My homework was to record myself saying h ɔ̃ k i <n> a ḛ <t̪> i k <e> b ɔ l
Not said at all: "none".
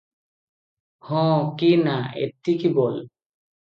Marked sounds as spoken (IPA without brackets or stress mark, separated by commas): n, t̪, i